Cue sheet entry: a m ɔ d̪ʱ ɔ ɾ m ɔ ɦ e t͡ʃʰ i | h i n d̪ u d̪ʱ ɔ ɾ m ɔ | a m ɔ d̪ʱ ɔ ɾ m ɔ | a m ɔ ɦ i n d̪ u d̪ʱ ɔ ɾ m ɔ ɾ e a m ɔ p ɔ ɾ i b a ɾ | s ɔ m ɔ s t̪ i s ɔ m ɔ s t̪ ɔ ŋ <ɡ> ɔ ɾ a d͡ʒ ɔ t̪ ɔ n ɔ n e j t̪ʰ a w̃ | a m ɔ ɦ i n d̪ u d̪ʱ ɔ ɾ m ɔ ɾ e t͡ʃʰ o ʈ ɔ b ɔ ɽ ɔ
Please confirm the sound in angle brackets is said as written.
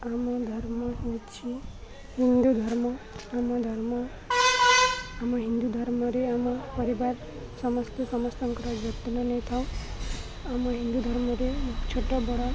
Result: no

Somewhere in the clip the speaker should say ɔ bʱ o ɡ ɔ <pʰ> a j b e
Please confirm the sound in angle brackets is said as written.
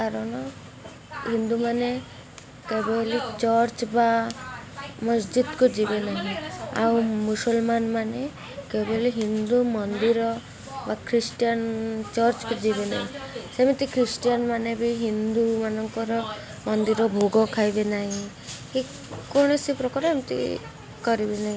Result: no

